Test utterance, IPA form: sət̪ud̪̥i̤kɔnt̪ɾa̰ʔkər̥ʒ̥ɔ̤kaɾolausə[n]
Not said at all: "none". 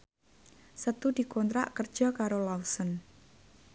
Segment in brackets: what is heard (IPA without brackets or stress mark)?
n